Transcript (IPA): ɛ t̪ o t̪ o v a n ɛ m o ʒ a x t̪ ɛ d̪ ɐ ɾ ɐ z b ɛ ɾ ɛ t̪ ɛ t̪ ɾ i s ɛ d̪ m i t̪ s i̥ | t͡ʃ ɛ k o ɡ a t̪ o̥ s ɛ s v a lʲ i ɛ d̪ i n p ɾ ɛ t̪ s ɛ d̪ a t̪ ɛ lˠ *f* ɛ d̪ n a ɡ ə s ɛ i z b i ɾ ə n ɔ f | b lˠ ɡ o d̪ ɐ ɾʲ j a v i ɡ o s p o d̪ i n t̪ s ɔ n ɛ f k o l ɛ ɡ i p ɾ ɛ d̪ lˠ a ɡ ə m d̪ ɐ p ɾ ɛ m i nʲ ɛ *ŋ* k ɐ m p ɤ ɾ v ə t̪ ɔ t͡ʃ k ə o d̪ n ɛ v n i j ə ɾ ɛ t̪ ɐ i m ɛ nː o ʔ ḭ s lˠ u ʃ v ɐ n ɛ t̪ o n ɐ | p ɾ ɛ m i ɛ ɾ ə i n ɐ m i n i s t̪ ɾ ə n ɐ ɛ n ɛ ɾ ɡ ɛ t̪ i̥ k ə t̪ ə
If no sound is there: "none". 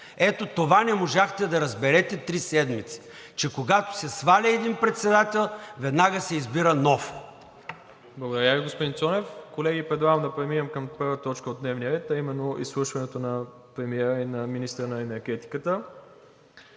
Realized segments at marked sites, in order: v, m

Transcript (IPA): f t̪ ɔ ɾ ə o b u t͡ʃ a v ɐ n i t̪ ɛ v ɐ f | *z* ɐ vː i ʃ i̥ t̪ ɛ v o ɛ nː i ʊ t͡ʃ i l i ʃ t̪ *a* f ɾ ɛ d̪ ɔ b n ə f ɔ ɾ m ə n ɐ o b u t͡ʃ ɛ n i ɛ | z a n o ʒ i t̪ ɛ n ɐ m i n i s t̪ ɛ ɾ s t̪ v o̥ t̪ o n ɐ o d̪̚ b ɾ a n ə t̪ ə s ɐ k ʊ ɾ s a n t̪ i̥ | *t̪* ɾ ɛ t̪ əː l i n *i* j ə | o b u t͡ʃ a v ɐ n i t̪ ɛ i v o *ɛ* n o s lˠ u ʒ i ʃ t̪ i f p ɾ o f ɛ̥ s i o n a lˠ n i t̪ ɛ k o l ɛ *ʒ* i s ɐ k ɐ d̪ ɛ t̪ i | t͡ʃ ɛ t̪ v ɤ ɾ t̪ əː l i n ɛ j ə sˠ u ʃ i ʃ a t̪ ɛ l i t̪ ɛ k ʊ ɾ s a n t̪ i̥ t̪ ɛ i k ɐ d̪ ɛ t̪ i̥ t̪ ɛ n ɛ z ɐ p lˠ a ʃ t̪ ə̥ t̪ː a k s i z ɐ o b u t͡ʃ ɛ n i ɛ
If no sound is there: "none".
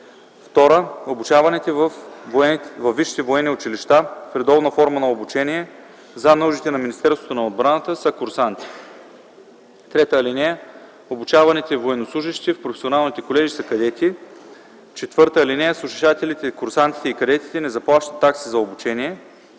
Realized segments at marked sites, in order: v, a, t̪, ɛ, ɛ, ʒ

